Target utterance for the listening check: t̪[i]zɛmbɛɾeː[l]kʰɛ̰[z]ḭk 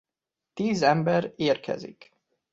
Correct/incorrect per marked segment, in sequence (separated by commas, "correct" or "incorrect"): incorrect, incorrect, correct